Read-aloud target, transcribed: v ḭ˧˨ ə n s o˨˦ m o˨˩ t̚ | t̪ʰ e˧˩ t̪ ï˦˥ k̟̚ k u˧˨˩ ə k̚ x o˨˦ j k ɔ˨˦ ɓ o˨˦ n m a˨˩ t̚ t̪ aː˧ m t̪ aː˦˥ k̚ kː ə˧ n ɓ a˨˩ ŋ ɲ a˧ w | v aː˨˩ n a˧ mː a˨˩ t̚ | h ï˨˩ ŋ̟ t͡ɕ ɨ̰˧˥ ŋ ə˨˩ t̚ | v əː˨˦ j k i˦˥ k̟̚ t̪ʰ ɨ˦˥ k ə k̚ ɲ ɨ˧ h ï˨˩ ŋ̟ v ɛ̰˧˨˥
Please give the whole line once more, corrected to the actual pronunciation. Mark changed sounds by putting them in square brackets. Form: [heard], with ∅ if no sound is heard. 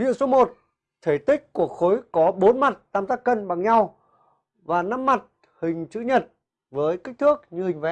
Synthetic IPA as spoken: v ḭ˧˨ ə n s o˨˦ m o˨˩ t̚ | t̪ʰ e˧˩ t̪ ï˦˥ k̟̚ k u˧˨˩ ə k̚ x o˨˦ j k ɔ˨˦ ɓ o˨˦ n m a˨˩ t̚ t̪ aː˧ m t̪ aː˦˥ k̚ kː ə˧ n ɓ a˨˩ ŋ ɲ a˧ w | v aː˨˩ n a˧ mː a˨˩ t̚ | h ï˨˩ ŋ̟ t͡ɕ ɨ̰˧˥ [ɲ] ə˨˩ t̚ | v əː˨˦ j k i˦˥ k̟̚ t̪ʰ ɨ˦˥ [∅] ə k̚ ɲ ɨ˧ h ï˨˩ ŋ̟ v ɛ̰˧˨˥